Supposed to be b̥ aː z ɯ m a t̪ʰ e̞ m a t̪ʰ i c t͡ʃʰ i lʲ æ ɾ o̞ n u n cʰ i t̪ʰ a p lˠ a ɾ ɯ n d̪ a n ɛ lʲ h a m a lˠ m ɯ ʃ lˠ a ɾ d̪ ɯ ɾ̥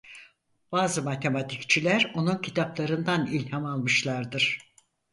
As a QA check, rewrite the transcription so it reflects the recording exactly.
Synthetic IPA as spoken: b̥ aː z ɯ m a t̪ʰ e̞ m a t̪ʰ i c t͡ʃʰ i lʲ æ ɾ o̞ n u n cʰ i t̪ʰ a p lˠ a ɾ ɯ n d̪ a n i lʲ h a m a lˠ m ɯ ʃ lˠ a ɾ d̪ ɯ ɾ̥

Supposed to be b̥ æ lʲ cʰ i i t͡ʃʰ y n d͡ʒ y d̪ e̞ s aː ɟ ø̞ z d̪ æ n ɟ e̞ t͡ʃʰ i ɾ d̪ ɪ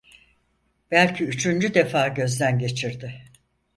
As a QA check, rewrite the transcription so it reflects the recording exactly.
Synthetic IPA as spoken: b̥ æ lʲ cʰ i y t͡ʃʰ y n d͡ʒ y d̪ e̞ f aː ɟ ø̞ z d̪ æ n ɟ e̞ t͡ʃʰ i ɾ d̪ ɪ

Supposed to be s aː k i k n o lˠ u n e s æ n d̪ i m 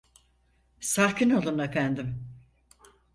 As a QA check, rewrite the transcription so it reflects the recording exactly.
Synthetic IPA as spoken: s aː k i n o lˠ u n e f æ n d̪ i m

